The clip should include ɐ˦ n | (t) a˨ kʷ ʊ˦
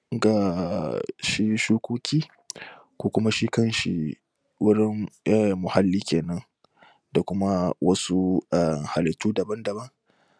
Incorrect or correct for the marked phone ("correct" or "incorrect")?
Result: incorrect